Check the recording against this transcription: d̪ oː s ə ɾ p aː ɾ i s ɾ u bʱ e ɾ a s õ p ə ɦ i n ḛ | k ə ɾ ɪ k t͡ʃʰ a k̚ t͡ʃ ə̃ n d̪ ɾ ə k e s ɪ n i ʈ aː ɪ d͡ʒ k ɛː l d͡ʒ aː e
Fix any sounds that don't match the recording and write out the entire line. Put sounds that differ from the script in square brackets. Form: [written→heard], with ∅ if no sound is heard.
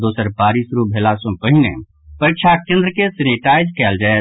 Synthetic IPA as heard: d̪ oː s ə ɾ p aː ɾ i s ɾ u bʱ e [ɾ→l] a s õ p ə ɦ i n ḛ | [k→p] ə ɾ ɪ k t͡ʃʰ a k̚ t͡ʃ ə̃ n d̪ ɾ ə k e s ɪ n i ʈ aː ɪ d͡ʒ k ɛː l d͡ʒ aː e